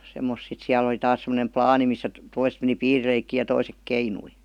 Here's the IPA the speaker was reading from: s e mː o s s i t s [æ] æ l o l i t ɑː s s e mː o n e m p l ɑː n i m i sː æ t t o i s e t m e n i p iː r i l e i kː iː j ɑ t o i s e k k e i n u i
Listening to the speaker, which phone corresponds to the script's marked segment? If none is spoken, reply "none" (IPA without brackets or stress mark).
i